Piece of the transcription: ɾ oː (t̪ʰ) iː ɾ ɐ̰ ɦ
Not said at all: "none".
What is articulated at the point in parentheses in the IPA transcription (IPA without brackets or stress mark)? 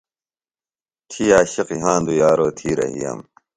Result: t̪ʰ